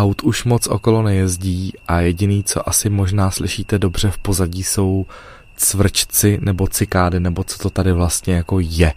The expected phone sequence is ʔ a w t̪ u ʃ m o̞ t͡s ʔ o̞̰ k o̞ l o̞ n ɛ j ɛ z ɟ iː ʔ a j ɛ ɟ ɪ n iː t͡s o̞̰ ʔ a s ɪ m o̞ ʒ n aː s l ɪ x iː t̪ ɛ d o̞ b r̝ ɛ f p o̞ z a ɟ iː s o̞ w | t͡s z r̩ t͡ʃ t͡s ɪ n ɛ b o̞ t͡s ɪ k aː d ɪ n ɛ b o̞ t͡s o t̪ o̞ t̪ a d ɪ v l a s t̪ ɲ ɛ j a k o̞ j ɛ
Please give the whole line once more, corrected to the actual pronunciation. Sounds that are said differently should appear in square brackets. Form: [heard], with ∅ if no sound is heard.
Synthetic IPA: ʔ a w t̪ u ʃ m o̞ t͡s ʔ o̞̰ k o̞ l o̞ n ɛ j ɛ z ɟ iː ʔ a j ɛ ɟ ɪ n iː t͡s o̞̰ ʔ a s ɪ m o̞ ʒ n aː s l ɪ [ʃ] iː t̪ ɛ d o̞ b r̝ ɛ f p o̞ z a ɟ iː s o̞ w | t͡s [v] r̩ t͡ʃ t͡s ɪ n ɛ b o̞ t͡s ɪ k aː d ɪ n ɛ b o̞ t͡s o t̪ o̞ t̪ a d ɪ v l a s t̪ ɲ ɛ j a k o̞ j ɛ